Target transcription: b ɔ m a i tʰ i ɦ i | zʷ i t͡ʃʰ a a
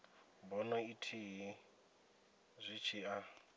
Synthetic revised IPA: b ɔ n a i tʰ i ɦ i | zʷ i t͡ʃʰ i a